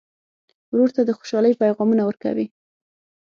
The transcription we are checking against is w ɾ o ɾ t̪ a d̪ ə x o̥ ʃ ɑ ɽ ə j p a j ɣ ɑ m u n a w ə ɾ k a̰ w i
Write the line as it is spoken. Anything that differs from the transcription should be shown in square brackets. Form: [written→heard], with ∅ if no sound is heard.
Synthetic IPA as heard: w ɾ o ɾ t̪ a d̪ ə x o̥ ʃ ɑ [ɽ→l] ə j p a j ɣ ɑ m u n a w ə ɾ k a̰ w i